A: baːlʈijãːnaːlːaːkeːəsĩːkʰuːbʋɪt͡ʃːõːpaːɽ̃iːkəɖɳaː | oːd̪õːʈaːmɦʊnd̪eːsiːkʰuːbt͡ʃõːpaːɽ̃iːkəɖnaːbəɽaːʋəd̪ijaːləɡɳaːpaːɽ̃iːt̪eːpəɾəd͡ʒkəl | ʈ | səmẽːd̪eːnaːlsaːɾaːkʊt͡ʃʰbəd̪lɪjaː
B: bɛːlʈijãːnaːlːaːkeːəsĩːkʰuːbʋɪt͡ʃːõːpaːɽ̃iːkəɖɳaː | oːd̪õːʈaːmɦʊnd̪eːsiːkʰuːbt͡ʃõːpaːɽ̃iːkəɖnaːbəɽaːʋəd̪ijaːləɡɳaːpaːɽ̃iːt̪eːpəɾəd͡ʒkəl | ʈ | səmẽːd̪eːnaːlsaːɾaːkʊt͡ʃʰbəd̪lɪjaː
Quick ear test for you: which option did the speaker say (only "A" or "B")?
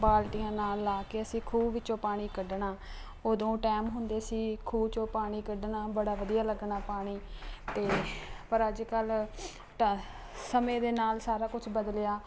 A